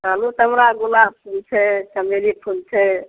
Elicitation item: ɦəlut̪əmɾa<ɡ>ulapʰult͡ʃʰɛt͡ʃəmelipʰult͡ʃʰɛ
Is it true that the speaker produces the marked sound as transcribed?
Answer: yes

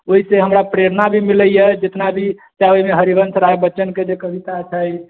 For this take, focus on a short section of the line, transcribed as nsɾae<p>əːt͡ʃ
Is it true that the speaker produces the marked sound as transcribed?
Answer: no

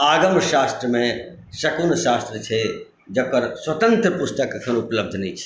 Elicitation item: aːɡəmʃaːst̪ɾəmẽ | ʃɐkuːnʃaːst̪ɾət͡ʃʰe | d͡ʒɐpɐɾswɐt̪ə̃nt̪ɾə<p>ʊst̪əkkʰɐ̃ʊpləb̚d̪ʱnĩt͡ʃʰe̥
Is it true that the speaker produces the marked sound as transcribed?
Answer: yes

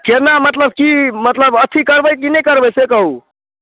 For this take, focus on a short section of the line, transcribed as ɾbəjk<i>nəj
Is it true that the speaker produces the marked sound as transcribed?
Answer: yes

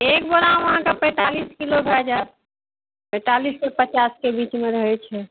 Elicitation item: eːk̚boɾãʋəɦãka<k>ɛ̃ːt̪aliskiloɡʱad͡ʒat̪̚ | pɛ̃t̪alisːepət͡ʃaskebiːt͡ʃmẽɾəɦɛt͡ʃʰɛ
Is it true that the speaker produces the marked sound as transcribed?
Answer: no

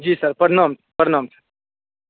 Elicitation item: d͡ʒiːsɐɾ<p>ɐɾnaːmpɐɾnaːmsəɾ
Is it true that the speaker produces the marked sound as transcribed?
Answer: yes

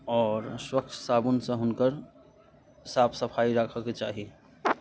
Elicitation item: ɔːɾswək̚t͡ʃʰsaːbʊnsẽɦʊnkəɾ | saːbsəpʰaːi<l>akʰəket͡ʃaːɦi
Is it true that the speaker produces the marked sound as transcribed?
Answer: no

